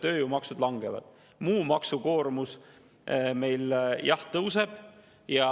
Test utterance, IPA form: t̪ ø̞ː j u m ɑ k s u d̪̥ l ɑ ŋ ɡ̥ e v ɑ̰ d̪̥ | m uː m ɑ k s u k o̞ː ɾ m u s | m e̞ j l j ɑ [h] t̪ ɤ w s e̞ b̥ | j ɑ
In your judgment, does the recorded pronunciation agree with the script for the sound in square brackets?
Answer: yes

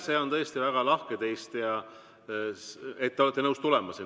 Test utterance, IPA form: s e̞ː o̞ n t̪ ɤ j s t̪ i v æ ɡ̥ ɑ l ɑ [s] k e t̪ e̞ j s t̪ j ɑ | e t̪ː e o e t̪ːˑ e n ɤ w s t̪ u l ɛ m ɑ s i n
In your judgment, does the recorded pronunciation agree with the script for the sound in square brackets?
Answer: no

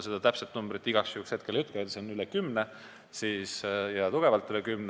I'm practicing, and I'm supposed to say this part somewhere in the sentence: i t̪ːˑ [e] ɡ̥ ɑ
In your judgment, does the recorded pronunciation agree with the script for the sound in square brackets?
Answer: no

